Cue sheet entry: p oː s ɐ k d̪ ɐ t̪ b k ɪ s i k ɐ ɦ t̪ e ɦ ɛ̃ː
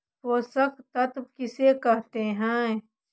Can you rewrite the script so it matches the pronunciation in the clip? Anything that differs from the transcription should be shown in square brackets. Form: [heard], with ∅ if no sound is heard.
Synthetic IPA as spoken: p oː s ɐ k [t̪] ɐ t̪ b k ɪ s [e] k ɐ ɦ t̪ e ɦ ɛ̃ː